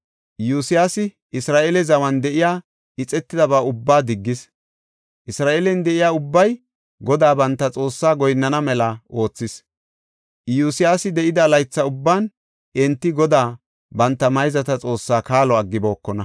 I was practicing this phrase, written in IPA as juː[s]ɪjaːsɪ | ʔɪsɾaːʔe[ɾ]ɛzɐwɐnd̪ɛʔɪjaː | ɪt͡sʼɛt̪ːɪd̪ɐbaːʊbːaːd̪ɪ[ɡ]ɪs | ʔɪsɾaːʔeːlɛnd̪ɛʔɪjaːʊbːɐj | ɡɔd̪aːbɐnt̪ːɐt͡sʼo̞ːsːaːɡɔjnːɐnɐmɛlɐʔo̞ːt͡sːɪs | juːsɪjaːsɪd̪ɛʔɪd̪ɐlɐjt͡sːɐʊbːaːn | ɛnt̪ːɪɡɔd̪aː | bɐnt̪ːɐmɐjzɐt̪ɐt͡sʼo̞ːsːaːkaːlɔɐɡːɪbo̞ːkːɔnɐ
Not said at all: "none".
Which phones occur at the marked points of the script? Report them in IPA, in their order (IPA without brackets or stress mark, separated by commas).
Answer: s, l, ɡː